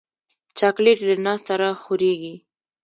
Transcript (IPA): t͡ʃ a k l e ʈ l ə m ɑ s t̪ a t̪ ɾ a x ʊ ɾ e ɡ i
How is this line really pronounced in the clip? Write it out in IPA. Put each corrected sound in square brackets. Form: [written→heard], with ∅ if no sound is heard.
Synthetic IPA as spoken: t͡ʃ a k l e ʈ l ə [m→n] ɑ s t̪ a [t̪→∅] ɾ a x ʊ ɾ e ɡ i